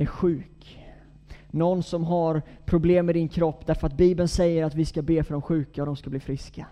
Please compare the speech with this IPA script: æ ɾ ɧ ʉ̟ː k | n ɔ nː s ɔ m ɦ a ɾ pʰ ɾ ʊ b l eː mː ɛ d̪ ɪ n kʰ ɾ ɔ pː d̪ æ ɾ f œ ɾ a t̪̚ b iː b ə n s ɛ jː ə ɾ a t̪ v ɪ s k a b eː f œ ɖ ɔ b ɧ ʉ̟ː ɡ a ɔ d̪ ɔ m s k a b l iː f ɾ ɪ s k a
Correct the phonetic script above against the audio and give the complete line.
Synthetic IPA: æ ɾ ɧ ʉ̟ː k | n ɔ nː s ɔ m ɦ a ɾ pʰ ɾ ʊ b l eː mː ɛ d̪ ɪ n kʰ ɾ ɔ pː d̪ æ ɾ f œ ɾ a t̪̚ b iː b ə n s ɛ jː ə ɾ a t̪ v ɪ s k a b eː f œ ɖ ɔ m ɧ ʉ̟ː k a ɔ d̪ ɔ m s k a b l iː f ɾ ɪ s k a